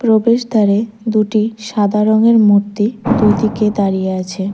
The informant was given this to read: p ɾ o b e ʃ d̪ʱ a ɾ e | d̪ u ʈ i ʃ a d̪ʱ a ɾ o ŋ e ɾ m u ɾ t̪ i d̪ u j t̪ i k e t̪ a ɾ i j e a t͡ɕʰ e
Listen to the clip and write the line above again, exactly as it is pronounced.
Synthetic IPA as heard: p ɾ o b e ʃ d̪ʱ a ɾ e | d̪ u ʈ i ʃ a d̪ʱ a ɾ o ŋ e ɾ m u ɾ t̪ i d̪ u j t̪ i k e d̪ a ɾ i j e a t͡ɕʰ e